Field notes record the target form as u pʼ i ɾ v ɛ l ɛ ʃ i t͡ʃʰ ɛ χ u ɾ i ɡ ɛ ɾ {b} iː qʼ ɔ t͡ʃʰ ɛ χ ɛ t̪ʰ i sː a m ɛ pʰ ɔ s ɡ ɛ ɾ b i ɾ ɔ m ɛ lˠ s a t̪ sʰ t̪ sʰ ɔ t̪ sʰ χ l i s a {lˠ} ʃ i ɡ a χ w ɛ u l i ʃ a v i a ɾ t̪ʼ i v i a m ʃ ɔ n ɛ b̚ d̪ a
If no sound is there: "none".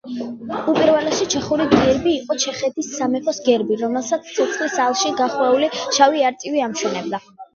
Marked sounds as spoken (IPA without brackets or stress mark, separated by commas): b, lˠ